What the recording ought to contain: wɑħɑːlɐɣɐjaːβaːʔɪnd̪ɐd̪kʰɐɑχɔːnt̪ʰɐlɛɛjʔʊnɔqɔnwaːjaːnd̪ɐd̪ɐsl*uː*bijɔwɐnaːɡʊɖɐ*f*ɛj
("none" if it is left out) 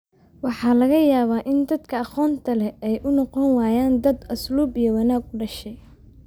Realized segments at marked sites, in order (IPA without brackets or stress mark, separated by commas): uː, ʃ